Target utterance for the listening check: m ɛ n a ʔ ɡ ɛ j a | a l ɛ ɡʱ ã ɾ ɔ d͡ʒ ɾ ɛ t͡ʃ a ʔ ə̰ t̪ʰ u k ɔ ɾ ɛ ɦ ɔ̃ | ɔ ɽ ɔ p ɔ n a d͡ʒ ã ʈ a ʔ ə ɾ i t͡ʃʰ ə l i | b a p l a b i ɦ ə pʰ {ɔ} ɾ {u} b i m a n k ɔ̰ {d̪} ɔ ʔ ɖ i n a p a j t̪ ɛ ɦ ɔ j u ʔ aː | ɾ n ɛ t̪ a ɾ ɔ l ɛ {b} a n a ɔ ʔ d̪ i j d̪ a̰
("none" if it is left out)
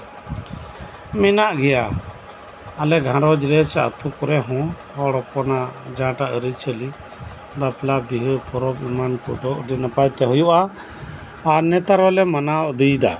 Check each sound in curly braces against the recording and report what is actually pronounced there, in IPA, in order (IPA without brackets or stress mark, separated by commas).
ɔ, ɔ, d̪, m